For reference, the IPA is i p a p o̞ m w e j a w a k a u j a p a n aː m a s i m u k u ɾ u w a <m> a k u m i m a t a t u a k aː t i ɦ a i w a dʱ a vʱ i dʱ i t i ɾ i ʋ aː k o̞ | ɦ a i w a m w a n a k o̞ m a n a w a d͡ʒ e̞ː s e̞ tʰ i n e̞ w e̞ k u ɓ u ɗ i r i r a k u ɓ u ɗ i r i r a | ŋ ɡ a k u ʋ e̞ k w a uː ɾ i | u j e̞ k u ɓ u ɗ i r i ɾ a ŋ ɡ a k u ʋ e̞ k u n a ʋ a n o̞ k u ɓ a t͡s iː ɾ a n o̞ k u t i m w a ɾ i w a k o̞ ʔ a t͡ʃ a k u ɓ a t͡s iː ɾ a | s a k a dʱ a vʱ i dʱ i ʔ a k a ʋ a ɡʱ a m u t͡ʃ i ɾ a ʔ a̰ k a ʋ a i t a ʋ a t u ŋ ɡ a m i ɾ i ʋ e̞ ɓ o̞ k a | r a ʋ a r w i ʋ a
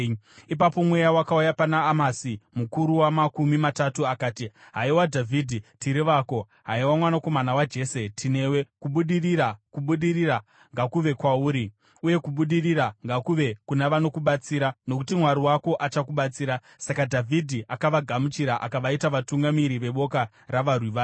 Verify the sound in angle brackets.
correct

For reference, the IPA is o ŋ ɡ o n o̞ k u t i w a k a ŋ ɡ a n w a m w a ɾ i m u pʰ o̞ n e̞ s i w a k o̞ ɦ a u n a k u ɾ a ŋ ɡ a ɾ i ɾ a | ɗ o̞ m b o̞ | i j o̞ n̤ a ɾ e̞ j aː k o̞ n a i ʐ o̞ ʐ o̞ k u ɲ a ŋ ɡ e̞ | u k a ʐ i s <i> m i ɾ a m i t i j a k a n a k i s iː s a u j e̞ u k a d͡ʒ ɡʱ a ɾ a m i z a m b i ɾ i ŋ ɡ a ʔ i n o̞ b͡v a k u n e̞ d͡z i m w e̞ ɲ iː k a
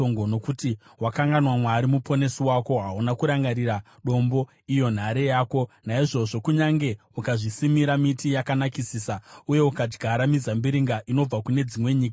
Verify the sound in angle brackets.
correct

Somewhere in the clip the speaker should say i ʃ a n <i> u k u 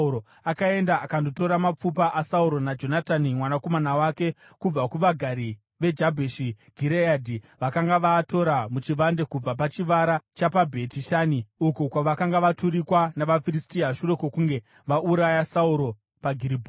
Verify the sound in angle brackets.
correct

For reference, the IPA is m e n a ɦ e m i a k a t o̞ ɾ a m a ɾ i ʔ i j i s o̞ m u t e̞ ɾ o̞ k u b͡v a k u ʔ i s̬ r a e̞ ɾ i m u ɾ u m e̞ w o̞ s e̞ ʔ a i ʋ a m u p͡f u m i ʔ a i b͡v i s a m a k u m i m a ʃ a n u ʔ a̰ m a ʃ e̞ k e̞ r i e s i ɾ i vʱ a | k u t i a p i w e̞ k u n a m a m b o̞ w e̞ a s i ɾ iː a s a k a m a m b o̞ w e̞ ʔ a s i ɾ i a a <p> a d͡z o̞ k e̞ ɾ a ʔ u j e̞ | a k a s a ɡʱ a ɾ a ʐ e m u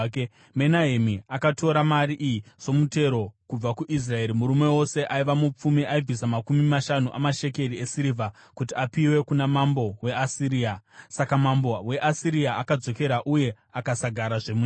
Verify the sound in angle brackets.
incorrect: k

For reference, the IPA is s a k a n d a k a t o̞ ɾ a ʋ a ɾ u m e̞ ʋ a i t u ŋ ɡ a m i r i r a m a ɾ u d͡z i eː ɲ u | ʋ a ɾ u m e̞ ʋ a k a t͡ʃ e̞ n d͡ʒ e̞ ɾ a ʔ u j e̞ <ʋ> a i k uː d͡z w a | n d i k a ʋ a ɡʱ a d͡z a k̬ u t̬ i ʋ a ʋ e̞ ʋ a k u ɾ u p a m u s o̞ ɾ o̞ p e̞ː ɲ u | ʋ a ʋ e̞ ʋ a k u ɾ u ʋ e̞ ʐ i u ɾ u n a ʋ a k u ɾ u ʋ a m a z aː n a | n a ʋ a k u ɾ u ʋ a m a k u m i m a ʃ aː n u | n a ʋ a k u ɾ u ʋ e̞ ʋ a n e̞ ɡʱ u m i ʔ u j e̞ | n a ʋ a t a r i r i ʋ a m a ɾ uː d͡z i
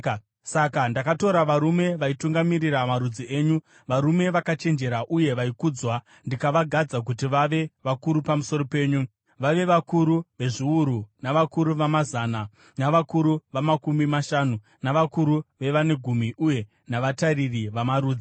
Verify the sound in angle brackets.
correct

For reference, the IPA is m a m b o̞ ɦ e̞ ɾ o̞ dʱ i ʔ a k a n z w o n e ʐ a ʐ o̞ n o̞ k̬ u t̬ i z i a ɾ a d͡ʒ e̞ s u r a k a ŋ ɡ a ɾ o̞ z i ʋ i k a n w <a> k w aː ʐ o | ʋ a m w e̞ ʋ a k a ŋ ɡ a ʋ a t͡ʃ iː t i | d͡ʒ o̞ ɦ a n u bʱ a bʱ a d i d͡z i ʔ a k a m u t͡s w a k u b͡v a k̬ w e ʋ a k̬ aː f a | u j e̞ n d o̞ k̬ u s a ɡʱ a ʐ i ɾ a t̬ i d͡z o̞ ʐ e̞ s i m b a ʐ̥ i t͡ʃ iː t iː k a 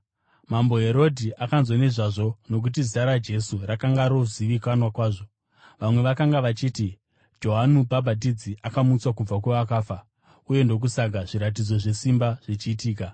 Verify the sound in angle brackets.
correct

